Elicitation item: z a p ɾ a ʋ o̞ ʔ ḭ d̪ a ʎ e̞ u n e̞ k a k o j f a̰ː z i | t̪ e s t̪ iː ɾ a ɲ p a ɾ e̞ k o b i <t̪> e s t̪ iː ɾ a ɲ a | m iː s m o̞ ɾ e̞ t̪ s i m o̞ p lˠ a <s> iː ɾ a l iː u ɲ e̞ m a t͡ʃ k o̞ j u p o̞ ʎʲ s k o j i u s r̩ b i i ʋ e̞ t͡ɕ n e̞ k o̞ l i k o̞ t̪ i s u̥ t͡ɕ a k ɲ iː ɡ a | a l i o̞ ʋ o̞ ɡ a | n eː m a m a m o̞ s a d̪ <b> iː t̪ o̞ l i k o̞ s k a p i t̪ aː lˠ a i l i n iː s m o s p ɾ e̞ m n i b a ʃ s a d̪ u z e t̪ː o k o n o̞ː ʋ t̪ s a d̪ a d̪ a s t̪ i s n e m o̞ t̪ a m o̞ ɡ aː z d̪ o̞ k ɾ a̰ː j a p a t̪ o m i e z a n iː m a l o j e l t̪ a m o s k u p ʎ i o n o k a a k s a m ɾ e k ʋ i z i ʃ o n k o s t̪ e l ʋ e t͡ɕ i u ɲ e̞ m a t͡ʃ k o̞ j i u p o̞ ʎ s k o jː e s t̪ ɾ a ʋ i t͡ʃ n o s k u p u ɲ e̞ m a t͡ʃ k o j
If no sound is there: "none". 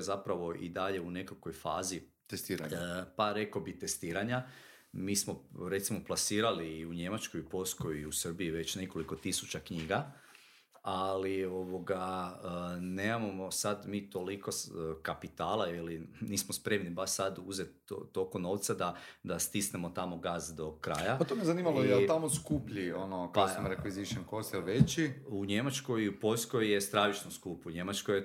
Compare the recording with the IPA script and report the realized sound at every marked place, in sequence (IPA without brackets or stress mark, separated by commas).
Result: t̪, s, m